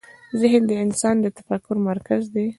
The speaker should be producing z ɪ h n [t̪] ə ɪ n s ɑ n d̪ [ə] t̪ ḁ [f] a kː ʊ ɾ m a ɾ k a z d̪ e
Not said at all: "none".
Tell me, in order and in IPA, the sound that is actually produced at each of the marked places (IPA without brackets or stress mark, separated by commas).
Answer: d̪, ə, f